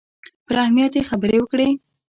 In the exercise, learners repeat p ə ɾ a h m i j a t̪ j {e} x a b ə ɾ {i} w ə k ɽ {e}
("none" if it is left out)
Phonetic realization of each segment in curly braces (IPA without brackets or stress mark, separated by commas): e, e, e